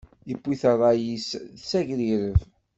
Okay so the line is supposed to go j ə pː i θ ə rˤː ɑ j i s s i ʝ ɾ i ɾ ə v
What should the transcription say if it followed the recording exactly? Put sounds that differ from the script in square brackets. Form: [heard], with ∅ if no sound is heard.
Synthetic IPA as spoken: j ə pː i θ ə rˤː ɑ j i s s [æ] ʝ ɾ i ɾ ə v